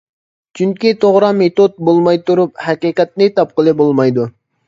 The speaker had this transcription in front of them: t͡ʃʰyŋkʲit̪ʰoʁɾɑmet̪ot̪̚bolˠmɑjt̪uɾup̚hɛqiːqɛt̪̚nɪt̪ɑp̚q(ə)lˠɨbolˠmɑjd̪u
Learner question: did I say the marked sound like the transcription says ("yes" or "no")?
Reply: yes